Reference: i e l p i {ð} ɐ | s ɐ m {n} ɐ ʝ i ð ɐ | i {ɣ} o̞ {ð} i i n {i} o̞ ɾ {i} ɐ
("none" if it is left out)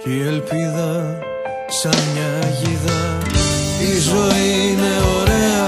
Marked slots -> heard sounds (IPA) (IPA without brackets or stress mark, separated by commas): ð, ɲ, z, none, e, e